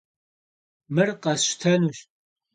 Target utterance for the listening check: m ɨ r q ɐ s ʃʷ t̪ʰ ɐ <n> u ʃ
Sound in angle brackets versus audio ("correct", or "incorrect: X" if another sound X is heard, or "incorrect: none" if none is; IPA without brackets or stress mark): correct